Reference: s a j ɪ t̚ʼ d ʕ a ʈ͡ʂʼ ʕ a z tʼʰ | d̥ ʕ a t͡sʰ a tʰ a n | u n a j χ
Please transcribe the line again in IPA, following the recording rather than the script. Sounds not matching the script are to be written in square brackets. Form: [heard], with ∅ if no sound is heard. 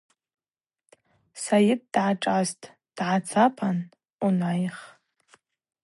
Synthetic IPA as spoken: s a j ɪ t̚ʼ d ʕ a ʈ͡ʂʼ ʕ a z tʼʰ | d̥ ʕ a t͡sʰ a [pʰ] a n | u n a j χ